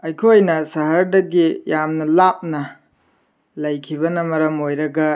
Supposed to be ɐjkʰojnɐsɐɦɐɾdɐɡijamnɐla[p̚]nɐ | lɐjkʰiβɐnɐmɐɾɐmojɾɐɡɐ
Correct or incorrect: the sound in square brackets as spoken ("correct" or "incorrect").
correct